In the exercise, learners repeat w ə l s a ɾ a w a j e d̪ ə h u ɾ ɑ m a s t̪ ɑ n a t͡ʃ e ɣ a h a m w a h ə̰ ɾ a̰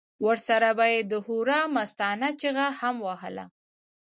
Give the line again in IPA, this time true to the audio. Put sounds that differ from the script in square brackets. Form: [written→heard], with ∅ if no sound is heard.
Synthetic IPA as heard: w ə [l→ɾ] s a ɾ a [w→b] a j e d̪ ə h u ɾ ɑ m a s t̪ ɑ n a t͡ʃ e ɣ a h a m w a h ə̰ [ɾ→l] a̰